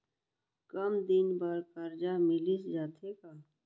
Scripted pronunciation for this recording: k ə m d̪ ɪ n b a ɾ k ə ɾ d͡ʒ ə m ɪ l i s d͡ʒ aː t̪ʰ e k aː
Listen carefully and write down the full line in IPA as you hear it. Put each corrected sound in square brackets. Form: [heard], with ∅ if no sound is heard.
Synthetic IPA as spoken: k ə m d̪ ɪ n b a ɾ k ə ɾ d͡ʒ [a] m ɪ l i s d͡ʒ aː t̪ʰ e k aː